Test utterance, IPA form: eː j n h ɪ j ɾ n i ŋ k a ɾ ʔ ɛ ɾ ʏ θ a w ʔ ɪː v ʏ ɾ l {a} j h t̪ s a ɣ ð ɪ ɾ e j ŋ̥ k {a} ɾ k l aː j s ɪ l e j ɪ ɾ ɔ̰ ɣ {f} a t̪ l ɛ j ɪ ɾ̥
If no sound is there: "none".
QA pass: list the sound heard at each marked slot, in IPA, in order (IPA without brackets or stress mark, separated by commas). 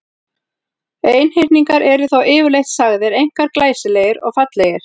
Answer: e, a, f